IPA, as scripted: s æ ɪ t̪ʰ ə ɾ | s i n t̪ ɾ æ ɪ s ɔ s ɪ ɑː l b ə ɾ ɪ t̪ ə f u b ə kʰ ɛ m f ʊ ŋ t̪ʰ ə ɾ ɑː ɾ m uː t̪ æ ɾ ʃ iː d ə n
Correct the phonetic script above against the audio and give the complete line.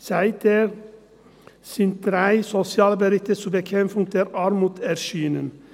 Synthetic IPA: s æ ɪ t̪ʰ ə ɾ | s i n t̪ ɾ æ ɪ s ɔ s ɪ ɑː l b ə ɾ ɪ t̪ ə s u b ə kʰ ɛ m f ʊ ŋ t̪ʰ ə ɾ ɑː ɾ m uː t̪ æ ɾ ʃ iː n ə n